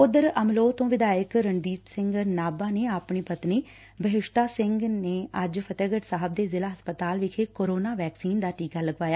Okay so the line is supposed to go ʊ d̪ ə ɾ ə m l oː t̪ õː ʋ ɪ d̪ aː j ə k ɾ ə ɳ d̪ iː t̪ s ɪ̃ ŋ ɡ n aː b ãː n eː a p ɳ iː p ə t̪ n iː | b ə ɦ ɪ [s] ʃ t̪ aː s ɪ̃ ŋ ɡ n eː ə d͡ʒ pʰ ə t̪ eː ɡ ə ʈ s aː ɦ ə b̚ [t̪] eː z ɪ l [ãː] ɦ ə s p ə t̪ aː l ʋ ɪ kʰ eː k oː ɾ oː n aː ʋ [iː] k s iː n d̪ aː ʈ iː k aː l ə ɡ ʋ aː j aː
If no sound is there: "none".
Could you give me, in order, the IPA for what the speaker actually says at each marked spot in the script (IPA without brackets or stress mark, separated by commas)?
none, d̪, aː, ɛː